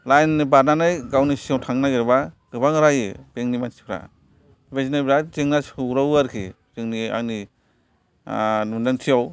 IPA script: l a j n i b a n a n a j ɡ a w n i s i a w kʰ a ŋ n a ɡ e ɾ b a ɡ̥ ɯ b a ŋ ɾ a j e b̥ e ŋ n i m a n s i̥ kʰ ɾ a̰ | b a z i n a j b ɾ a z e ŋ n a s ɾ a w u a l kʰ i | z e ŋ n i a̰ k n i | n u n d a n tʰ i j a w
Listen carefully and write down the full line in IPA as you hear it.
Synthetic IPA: l a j n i b a n a n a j ɡ a w n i s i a w tʰ a ŋ n a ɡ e ɾ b a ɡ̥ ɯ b a ŋ ɾ a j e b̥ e ŋ n i m a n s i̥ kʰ ɾ a̰ | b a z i n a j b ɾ a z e ŋ n a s ɾ a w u a ɾ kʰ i | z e ŋ n i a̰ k n i | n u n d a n tʰ i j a w